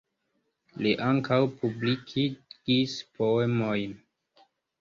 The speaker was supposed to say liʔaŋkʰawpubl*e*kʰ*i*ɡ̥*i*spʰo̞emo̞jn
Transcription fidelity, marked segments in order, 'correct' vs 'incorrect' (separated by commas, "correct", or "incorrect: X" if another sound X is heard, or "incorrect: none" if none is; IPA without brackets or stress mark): incorrect: i, correct, correct